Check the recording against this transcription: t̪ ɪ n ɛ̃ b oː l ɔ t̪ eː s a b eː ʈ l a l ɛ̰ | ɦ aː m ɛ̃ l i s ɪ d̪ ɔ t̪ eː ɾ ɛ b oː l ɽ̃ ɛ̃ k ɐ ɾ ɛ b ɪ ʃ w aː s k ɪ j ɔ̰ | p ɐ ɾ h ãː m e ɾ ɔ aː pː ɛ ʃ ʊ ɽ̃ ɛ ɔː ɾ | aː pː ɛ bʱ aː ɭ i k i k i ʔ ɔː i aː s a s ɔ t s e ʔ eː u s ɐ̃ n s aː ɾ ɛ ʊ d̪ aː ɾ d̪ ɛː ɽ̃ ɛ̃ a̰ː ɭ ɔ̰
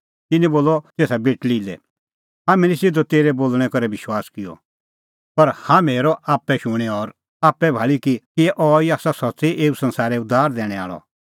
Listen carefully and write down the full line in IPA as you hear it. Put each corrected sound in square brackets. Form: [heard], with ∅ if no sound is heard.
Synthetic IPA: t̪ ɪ n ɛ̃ b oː l ɔ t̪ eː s a b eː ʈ l [i] l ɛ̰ | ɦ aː m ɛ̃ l i s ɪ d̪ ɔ t̪ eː ɾ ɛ b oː l ɽ̃ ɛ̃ k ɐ ɾ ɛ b ɪ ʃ w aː s k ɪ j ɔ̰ | p ɐ ɾ h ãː m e ɾ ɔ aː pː ɛ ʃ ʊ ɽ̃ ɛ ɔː ɾ | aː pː ɛ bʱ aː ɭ i k i k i ʔ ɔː i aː s a s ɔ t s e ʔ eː u s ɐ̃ n s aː ɾ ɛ ʊ d̪ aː ɾ d̪ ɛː ɽ̃ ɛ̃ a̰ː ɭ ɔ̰

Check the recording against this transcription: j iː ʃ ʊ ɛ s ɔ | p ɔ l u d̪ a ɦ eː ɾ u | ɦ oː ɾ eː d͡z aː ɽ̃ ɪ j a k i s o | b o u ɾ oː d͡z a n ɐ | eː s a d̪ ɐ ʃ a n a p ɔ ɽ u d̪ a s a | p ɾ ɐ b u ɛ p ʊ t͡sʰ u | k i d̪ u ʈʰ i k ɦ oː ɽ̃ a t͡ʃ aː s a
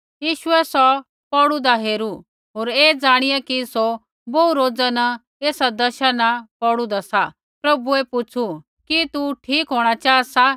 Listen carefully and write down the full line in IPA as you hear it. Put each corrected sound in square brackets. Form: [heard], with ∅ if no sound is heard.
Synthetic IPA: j iː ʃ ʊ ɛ s ɔ | p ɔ [ɽ] u d̪ a ɦ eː ɾ u | ɦ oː ɾ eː d͡z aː ɽ̃ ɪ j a k i s o | b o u ɾ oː d͡z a n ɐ | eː s a d̪ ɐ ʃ a n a p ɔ ɽ u d̪ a s a | p ɾ ɐ b u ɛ p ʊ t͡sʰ u | k i [t̪] u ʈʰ [iː] k ɦ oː ɽ̃ a t͡ʃ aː s a

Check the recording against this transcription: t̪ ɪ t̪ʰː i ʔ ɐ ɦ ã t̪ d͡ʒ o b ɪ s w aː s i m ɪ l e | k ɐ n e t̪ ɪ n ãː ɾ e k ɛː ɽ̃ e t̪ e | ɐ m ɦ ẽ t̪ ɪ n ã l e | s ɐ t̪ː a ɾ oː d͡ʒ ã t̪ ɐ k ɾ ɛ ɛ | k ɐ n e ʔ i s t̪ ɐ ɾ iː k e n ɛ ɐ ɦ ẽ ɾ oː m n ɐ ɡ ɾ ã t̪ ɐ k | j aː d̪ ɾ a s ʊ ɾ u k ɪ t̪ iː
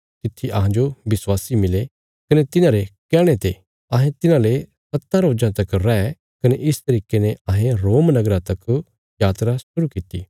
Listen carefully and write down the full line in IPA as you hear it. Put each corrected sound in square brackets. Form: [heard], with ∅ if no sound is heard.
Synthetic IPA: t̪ ɪ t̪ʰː i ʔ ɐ ɦ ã [∅] d͡ʒ o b ɪ s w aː s i m ɪ l e | k ɐ n e t̪ ɪ n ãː ɾ e k ɛː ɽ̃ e t̪ e | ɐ [∅] ɦ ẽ t̪ ɪ n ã l e | s ɐ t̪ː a ɾ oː d͡ʒ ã t̪ ɐ k ɾ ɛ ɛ | k ɐ n e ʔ [ɪ] s t̪ ɐ ɾ iː k e n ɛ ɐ ɦ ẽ ɾ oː m n ɐ ɡ ɾ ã t̪ ɐ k | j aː [t̪] ɾ a s ʊ ɾ u k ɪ t̪ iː

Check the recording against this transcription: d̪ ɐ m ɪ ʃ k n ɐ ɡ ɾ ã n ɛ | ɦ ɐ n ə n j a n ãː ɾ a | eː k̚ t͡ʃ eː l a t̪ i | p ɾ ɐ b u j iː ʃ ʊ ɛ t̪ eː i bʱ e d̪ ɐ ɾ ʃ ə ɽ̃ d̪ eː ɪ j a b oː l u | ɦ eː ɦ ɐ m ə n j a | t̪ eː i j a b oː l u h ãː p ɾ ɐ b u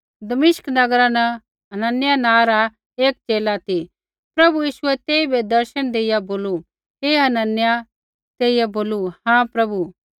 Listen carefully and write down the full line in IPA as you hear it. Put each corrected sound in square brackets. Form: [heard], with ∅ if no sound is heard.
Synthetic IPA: d̪ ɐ m ɪ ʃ k n ɐ ɡ ɾ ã n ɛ | ɦ ɐ n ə n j a n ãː ɾ a | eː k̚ t͡ʃ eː l a t̪ i | p ɾ ɐ b u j iː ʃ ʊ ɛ t̪ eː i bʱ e d̪ ɐ ɾ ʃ ə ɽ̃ d̪ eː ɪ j a b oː l u | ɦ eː ɦ ɐ [n] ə n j a | t̪ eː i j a b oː l u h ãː p ɾ ɐ b u

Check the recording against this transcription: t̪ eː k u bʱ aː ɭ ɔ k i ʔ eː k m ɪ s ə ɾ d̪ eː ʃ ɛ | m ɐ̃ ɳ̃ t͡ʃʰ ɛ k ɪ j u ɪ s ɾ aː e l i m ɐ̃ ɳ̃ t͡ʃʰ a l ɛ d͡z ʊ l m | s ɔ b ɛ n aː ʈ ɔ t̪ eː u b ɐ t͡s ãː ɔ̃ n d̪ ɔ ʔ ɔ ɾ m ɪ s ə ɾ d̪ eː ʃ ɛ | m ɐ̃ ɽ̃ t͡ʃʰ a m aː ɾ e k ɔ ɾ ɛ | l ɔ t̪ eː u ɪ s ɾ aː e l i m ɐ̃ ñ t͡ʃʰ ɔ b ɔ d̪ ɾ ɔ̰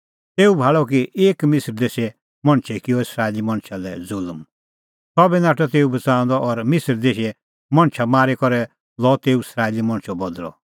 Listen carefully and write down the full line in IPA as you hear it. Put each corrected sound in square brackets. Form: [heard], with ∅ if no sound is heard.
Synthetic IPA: t̪ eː [∅] u bʱ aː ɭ ɔ k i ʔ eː k m ɪ s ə ɾ d̪ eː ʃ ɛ | m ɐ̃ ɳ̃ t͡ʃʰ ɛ k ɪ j [ɔ] ɪ s ɾ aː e l i m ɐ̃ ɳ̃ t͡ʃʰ a l ɛ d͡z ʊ l m | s ɔ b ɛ n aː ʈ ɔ t̪ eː u b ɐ t͡s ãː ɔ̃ n d̪ ɔ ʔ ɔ ɾ m ɪ s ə ɾ d̪ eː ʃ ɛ | m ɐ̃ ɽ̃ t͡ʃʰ a m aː ɾ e k ɔ ɾ ɛ | l ɔ t̪ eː u ɪ s ɾ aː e l i m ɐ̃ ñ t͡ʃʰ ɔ b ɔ d̪ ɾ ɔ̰

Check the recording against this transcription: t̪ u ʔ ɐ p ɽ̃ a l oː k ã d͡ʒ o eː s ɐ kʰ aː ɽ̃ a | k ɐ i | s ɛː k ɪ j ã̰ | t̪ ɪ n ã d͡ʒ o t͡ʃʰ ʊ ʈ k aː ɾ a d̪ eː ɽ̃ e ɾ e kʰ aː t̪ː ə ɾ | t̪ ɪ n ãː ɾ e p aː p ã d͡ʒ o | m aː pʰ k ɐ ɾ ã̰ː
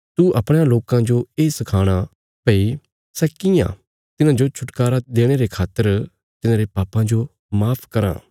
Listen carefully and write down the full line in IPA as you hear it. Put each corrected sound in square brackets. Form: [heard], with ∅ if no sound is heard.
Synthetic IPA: t̪ u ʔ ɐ p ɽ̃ a l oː k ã d͡ʒ o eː s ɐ kʰ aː ɽ̃ a | [p] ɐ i | s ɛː k ɪ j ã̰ | t̪ ɪ n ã d͡ʒ o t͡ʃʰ ʊ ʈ k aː ɾ a d̪ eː ɽ̃ e ɾ e kʰ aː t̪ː ə ɾ | t̪ ɪ n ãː ɾ e p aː p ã d͡ʒ o | m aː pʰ k ɐ ɾ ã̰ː

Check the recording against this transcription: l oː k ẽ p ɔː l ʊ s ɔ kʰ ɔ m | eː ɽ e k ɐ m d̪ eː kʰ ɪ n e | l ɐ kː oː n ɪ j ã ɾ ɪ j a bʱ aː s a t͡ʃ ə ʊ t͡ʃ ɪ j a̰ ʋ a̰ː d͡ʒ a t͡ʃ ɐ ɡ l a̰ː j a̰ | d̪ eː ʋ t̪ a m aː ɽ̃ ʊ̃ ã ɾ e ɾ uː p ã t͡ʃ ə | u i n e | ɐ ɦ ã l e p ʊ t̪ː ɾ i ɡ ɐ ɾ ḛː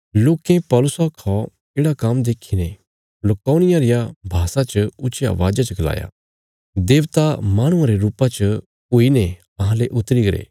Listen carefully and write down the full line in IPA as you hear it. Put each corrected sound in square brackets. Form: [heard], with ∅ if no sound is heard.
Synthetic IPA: l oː k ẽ p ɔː l ʊ s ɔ kʰ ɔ [∅] | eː ɽ [a] k ɐ m d̪ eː kʰ [i] n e | l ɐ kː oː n ɪ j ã ɾ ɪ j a bʱ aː s a t͡ʃ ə ʊ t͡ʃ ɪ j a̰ ʋ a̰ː d͡ʒ a t͡ʃ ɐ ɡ l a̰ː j a̰ | d̪ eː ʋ t̪ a m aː ɽ̃ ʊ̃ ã ɾ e ɾ uː p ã t͡ʃ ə | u i n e | ɐ ɦ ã l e [ʔ] ʊ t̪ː ɾ i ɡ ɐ ɾ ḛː

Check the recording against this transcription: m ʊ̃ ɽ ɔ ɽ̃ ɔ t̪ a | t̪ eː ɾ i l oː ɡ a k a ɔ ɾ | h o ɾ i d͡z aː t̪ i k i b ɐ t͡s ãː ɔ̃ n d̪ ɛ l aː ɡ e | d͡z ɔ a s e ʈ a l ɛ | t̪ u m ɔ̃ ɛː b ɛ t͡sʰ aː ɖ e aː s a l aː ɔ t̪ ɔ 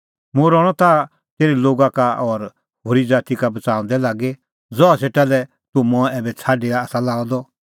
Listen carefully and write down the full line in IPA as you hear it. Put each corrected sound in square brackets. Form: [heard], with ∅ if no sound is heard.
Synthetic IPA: m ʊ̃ [ɾ] ɔ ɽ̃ ɔ t̪ a | t̪ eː ɾ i l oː ɡ a k a ɔ ɾ | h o ɾ i d͡z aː t̪ i k [a] b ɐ t͡s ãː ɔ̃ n d̪ ɛ l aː ɡ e | d͡z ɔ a s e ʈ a l ɛ | t̪ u m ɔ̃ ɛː b ɛ t͡sʰ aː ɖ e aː s a l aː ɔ [d̪] ɔ

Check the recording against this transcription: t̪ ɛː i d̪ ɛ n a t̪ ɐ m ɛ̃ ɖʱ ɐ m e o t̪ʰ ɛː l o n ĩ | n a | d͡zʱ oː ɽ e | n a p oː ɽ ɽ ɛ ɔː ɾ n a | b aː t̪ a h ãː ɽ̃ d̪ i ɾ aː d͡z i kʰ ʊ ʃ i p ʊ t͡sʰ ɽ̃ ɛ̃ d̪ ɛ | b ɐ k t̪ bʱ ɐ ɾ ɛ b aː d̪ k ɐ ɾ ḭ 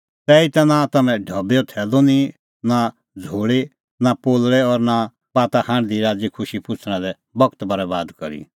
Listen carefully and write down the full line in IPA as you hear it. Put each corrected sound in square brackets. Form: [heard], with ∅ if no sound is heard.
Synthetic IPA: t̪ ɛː i [t̪] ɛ n a t̪ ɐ m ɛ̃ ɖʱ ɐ [b] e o t̪ʰ ɛː l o n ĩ | n a | d͡zʱ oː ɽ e | n a p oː [l] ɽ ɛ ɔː ɾ n a | b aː t̪ a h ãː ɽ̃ d̪ i ɾ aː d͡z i kʰ ʊ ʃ i p ʊ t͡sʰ ɽ̃ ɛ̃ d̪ ɛ | b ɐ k t̪ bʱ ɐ ɾ ɛ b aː d̪ k ɐ ɾ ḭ

